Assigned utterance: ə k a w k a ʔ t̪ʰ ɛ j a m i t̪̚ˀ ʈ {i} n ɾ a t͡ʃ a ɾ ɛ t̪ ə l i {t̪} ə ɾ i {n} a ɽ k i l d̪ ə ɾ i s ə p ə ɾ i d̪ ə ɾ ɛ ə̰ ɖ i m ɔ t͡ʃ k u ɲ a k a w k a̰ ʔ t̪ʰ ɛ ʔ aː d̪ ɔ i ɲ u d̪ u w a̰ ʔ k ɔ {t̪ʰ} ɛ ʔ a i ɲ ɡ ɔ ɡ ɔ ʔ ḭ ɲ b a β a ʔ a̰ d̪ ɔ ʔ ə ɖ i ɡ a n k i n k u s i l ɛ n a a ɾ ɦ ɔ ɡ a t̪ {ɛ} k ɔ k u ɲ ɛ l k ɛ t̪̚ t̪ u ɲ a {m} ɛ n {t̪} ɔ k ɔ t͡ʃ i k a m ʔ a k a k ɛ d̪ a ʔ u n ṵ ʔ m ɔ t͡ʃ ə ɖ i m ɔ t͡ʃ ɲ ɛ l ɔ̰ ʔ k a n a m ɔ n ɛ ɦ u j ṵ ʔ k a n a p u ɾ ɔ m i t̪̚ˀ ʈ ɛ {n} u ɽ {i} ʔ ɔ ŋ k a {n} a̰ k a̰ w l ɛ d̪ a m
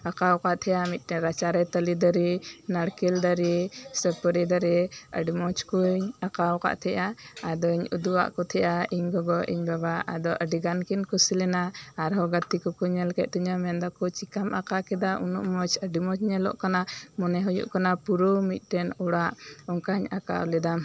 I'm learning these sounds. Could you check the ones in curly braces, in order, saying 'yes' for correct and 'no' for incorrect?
no, no, yes, yes, no, yes, no, yes, no, no

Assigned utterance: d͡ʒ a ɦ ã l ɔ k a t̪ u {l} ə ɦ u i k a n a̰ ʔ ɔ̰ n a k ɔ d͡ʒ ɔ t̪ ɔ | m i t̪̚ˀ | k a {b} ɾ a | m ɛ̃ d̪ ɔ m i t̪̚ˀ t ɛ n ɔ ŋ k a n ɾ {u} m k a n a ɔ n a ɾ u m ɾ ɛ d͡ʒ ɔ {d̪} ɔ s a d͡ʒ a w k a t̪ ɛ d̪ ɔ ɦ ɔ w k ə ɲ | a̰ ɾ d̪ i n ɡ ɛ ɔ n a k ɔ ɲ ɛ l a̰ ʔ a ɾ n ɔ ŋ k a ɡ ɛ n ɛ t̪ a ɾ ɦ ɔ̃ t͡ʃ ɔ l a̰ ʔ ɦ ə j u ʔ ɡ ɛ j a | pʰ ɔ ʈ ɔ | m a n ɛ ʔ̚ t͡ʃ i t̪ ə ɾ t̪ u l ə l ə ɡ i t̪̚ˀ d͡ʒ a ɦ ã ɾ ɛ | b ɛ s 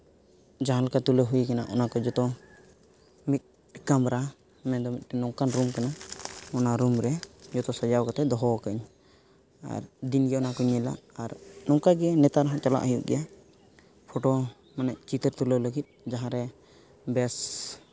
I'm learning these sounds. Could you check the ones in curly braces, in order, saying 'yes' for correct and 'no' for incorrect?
yes, no, yes, no

